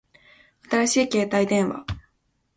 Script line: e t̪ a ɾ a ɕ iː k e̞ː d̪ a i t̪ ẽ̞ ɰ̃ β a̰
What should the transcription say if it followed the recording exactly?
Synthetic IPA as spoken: a t̪ a ɾ a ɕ iː k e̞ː t̪ a i d̪ ẽ̞ ɰ̃ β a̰